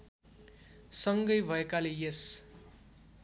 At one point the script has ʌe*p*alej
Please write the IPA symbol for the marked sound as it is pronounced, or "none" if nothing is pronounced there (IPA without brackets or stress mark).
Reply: k